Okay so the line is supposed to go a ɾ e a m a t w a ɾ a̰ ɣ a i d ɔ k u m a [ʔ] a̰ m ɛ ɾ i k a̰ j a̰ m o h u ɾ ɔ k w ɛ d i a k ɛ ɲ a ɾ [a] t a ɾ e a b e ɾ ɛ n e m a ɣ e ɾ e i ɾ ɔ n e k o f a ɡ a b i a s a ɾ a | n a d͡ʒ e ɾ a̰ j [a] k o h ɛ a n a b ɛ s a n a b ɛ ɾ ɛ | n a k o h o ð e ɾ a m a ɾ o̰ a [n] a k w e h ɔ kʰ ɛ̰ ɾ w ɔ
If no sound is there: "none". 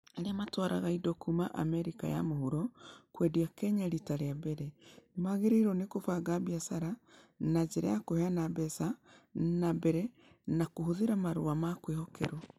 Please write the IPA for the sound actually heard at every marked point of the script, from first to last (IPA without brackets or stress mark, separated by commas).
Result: ʔ, i, a, m